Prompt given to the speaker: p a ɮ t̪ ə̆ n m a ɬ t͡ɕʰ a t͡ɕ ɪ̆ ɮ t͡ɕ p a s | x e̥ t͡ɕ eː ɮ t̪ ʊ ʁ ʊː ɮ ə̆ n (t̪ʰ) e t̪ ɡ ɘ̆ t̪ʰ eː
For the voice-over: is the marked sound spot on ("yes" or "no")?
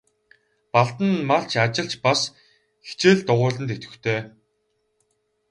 no